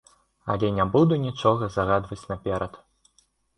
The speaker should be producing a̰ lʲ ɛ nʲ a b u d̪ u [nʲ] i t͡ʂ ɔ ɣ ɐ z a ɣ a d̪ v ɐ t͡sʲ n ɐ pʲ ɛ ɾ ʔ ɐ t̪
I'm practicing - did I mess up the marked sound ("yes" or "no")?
no